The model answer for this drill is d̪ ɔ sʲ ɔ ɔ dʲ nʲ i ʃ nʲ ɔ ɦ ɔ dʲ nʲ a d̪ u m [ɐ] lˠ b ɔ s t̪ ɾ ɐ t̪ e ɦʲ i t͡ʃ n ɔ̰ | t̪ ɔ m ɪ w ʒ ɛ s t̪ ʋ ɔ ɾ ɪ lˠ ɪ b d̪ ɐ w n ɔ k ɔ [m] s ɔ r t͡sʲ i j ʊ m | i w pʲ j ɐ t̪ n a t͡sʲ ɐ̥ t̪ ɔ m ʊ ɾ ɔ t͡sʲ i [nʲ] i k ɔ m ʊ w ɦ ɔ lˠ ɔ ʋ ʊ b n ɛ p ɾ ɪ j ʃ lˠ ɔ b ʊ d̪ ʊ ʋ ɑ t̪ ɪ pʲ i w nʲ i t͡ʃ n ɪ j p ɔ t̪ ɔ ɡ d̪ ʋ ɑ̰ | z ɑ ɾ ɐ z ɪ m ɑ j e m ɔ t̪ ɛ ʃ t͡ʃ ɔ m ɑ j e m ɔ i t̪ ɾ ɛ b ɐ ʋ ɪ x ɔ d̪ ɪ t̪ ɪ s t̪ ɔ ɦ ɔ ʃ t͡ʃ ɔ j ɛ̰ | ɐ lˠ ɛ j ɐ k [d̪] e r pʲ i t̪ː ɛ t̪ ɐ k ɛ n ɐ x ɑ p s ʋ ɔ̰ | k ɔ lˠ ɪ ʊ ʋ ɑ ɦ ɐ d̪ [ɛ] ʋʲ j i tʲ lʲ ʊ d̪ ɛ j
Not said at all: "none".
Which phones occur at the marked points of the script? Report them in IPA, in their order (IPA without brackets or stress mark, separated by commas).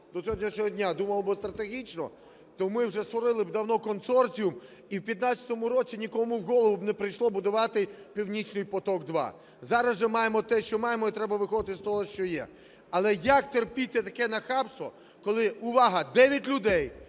ɐ, n, nʲ, t̪, ɛ